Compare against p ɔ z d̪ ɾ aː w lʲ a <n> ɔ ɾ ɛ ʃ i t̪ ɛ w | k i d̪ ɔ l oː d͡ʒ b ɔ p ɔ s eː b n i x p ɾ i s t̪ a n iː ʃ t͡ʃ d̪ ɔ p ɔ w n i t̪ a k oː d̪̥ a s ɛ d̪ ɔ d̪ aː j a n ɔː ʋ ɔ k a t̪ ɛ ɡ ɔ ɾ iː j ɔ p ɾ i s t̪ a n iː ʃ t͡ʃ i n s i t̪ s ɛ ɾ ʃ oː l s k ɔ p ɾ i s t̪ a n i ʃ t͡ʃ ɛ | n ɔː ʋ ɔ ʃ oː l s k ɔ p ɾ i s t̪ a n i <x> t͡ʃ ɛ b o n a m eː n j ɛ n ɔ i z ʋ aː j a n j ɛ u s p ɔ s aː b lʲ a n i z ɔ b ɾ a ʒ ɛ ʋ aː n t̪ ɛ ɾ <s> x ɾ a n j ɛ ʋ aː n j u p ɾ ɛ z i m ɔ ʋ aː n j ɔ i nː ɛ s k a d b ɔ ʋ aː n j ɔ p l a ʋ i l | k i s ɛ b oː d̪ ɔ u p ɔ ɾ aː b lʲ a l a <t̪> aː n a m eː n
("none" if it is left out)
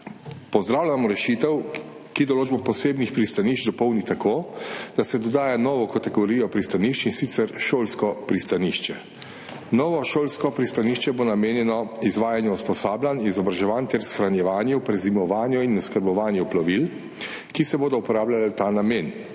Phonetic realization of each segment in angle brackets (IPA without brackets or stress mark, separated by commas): m, ʃ, s, t̪